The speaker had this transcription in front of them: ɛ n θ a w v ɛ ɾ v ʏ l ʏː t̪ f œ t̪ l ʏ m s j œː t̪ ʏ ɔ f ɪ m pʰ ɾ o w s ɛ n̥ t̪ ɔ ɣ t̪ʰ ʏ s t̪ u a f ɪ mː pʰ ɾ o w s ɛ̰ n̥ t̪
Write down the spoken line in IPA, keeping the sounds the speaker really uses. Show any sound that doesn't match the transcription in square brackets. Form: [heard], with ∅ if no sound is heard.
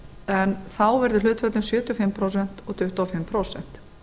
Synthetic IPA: ɛ n θ a w v ɛ ɾ [ð] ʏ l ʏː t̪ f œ t̪ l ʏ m s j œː t̪ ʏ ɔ f ɪ m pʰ ɾ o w s ɛ n̥ t̪ ɔ ɣ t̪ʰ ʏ [h] t̪ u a f ɪ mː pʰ ɾ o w s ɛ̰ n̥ t̪